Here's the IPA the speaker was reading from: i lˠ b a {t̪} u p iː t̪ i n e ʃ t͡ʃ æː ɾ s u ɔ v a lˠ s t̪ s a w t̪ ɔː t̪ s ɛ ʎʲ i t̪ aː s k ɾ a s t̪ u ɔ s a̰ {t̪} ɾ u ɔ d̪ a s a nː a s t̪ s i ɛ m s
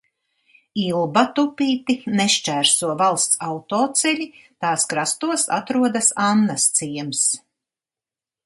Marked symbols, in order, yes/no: yes, yes

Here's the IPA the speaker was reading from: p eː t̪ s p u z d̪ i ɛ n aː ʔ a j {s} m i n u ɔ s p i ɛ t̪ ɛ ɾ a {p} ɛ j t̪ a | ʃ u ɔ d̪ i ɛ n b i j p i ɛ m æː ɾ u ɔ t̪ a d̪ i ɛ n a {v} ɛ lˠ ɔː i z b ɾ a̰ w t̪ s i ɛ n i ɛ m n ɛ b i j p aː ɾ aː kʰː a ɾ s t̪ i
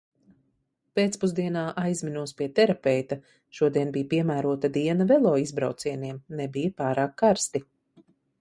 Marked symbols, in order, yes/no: no, yes, yes

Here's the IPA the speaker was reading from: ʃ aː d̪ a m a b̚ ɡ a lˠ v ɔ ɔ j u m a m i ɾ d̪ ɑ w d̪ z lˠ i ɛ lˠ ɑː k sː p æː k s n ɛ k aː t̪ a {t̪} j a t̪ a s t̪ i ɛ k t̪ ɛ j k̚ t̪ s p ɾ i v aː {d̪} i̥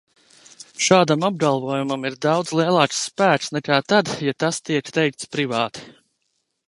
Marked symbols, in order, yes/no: no, no

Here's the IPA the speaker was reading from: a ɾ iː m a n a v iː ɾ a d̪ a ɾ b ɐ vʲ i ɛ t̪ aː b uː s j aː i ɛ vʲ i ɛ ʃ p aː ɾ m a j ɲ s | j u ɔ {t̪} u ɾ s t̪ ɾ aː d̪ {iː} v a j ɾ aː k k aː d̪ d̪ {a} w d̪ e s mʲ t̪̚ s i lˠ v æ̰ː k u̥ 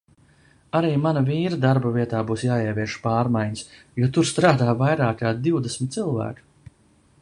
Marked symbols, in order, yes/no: yes, no, no

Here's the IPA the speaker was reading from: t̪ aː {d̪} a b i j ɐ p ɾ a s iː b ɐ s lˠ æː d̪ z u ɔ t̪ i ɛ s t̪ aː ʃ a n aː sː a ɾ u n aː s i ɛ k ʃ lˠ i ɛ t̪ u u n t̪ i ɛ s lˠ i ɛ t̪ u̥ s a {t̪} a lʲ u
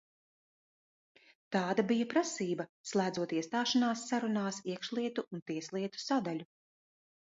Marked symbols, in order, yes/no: yes, no

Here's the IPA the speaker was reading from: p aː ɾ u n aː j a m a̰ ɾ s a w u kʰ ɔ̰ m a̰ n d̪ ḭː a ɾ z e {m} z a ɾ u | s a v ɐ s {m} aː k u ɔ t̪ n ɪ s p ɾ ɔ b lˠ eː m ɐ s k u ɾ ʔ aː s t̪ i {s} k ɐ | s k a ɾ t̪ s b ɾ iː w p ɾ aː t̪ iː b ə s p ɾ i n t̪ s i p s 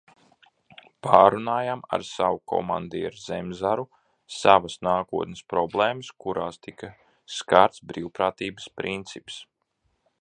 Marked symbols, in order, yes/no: yes, no, no

